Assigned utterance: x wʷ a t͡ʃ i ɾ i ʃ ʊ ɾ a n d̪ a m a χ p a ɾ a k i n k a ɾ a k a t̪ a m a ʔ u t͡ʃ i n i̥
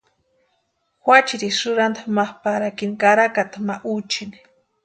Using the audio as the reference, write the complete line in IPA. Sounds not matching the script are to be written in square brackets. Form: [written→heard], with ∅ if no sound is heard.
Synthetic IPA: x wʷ a t͡ʃ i ɾ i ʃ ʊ ɾ a n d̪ a m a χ p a ɾ a k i n k a ɾ a k a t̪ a m a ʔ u t͡ʃ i n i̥

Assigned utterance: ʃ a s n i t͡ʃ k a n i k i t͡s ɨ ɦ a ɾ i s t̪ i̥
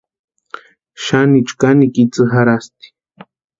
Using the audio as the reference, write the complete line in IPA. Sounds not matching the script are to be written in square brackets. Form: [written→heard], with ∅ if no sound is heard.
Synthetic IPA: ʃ a [s→∅] n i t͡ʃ k a n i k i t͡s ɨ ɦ a ɾ [i→a] s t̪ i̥

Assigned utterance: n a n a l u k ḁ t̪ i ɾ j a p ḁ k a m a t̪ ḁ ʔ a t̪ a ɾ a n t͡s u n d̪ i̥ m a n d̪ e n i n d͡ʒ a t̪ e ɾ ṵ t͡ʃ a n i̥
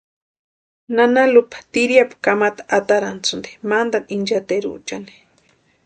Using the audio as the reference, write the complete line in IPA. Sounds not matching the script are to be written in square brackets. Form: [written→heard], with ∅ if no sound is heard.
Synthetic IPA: n a n a l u [k→p] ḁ t̪ i ɾ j a p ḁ k a m a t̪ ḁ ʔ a t̪ a ɾ a n t͡s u n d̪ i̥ m a n d̪ [e→a] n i n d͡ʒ a t̪ e ɾ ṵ t͡ʃ a n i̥

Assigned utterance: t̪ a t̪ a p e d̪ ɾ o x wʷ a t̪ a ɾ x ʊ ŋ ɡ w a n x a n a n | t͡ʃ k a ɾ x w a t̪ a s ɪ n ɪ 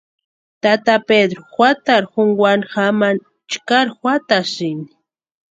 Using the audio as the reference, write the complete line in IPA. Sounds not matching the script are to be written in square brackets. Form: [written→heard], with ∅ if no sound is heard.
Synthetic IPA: t̪ a t̪ a p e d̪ ɾ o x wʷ a t̪ a ɾ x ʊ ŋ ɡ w a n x a [n→m] a n | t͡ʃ k a ɾ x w a t̪ a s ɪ n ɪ

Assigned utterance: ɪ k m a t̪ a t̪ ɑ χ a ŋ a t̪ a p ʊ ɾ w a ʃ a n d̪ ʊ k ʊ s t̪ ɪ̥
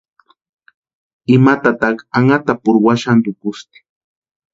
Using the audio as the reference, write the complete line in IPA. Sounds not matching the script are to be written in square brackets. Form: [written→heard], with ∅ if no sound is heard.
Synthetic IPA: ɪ [k→∅] m a t̪ a t̪ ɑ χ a ŋ a t̪ a p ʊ ɾ w a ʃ a n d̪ ʊ k ʊ s t̪ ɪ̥

